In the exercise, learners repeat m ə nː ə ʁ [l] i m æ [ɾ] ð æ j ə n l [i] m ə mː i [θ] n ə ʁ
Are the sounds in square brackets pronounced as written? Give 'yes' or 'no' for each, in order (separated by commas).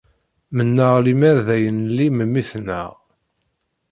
yes, yes, yes, yes